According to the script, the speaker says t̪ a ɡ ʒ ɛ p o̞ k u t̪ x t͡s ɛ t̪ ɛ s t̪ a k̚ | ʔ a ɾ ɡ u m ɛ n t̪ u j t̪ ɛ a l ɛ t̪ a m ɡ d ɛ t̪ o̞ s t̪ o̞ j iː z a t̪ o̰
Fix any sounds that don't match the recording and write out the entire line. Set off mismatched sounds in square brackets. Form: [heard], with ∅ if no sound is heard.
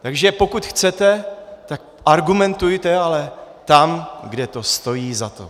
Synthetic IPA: t̪ a ɡ ʒ ɛ p o̞ k u t̪ x t͡s ɛ t̪ ɛ [∅] t̪ a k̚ | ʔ a ɾ ɡ u m ɛ n t̪ u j t̪ ɛ a l ɛ t̪ a m ɡ d ɛ t̪ o̞ s t̪ o̞ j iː z a t̪ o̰